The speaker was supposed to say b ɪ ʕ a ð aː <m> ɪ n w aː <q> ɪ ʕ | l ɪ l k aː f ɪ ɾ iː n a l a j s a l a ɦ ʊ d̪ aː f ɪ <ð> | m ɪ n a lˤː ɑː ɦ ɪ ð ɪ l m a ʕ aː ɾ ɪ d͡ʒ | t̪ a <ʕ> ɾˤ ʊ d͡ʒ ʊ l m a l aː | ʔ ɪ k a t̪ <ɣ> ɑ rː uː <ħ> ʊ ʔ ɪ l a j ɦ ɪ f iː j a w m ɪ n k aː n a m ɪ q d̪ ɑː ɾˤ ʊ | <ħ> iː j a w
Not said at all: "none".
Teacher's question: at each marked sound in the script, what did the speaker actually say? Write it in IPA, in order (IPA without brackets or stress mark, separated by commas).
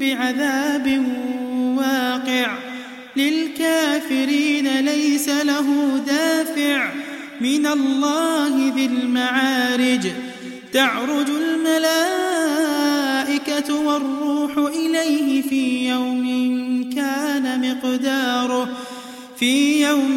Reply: b, q, ʕ, ʕ, w, ħ, f